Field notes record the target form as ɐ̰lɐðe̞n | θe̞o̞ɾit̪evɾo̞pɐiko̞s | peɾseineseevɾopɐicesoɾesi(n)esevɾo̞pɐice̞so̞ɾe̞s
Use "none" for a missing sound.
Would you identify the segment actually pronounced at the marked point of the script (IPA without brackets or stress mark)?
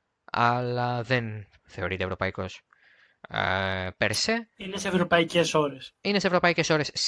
n